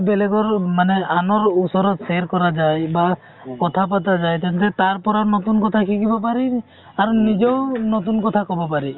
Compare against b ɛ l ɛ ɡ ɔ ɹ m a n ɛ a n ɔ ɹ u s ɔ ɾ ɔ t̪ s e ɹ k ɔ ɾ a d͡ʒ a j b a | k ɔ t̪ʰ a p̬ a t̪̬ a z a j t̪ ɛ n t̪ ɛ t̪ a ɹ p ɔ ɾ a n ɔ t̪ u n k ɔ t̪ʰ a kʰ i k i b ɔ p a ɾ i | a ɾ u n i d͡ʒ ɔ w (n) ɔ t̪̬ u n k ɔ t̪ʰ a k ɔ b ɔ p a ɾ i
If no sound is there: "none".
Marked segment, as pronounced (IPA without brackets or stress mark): n